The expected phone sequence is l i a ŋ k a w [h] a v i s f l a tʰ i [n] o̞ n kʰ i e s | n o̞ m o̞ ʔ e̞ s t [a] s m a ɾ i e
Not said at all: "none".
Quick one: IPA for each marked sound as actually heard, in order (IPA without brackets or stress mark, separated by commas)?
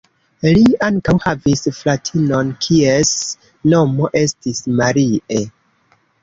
h, n, i